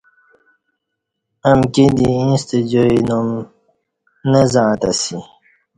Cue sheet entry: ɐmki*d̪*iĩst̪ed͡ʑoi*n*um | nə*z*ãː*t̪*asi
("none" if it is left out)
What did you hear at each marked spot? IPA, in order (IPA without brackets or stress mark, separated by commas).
d̪, n, z, t̪